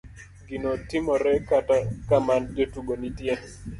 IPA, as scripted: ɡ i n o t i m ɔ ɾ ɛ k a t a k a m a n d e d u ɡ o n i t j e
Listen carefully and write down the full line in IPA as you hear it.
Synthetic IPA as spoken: ɡ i n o t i m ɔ ɾ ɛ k a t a k a m a n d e t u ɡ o n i t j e

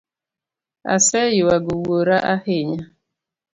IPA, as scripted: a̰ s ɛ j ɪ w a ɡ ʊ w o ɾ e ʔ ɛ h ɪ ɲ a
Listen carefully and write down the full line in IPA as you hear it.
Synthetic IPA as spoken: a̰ s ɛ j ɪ w a ɡ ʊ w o ɾ a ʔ a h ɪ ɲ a

